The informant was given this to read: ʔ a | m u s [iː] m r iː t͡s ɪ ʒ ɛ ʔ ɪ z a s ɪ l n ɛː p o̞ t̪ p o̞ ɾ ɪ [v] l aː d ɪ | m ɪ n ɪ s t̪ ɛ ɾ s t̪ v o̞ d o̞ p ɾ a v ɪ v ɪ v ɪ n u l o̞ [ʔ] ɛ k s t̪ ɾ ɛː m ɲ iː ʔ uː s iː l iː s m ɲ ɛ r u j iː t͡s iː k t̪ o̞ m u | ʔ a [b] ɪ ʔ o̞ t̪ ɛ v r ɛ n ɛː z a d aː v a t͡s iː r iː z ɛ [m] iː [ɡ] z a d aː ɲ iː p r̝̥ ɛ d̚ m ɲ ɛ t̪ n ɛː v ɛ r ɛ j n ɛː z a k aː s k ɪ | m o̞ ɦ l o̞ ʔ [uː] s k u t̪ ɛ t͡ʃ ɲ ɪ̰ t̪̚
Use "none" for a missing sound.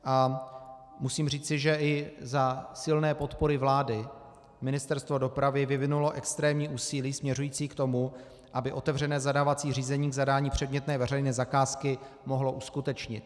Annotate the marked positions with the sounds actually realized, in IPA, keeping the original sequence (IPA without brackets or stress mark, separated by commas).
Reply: iː, v, ʔ, b, ɲ, ɡ, u